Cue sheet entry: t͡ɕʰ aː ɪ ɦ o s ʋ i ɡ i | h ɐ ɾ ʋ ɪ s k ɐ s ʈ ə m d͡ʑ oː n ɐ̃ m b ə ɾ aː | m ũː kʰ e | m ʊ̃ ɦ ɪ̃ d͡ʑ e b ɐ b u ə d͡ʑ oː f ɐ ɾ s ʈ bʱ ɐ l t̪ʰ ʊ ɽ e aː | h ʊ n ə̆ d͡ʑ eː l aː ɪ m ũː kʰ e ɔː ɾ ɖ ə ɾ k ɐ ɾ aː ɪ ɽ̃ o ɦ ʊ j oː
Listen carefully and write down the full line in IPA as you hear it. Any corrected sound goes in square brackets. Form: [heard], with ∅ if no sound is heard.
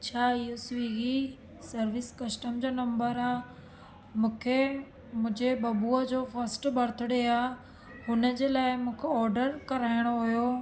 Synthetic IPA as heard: t͡ɕʰ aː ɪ ɦ o s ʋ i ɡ i | [s] ɐ ɾ ʋ ɪ s k ɐ s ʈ ə m d͡ʑ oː n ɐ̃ m b ə ɾ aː | m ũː kʰ e | m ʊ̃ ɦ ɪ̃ d͡ʑ e b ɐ b u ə d͡ʑ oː f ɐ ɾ s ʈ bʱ ɐ [ɾ] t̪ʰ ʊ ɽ e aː | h ʊ n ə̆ d͡ʑ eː l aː ɪ m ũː kʰ e ɔː ɾ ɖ ə ɾ k ɐ ɾ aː ɪ ɽ̃ o ɦ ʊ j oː